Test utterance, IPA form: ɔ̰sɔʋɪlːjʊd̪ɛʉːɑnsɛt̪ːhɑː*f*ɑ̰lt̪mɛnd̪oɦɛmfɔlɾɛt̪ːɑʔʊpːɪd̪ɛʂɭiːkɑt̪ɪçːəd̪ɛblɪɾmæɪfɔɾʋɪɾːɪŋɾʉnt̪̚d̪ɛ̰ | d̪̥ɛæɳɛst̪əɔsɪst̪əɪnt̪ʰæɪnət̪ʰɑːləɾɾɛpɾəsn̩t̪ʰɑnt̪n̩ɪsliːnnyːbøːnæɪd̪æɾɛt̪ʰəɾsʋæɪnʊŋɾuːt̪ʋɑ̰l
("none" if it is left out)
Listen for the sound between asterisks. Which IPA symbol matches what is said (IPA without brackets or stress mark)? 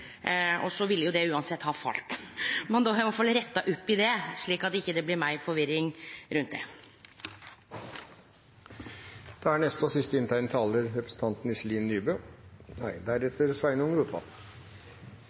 f